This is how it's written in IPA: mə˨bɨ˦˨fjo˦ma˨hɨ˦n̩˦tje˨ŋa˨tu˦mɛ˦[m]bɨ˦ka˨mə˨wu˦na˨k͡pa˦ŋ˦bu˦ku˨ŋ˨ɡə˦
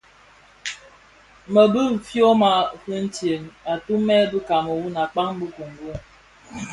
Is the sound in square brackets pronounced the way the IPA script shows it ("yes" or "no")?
no